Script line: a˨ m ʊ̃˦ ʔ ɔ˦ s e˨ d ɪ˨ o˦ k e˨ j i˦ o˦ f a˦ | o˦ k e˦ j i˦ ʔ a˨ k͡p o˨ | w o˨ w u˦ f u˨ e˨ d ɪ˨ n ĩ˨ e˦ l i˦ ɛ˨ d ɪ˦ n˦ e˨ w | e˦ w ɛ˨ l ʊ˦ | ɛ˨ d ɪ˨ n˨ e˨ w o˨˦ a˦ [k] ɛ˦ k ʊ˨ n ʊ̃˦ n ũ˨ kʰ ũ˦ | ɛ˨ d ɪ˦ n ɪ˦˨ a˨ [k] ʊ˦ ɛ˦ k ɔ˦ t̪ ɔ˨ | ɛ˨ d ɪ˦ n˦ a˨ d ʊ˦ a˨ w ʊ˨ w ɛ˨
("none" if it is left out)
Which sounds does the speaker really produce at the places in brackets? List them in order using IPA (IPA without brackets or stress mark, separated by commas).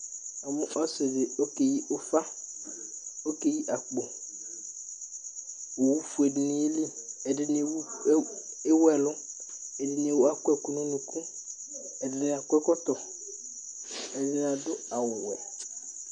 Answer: k, k